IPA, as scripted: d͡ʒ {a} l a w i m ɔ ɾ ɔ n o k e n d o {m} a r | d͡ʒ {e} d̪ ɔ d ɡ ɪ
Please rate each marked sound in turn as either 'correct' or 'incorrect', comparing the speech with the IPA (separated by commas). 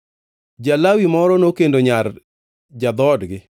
correct, incorrect, incorrect